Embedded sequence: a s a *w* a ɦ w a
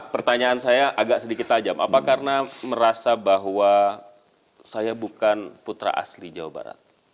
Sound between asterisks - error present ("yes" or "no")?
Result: yes